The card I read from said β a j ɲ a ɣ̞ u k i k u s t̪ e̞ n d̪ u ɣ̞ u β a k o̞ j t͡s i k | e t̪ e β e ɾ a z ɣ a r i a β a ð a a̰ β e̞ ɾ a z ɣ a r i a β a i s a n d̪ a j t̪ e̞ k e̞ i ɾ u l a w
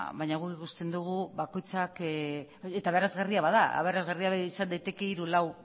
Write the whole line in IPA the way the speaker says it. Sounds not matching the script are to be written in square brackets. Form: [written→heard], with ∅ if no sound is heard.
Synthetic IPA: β a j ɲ a ɣ̞ u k i k u s t̪ e̞ n d̪ u ɣ̞ u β a k o̞ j t͡s [i→a] k | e t̪ [e→a] β e ɾ a z ɣ a r i a β a ð a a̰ β e̞ ɾ a z ɣ a r i a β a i s a n d̪ a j t̪ e̞ k e̞ i ɾ u l a w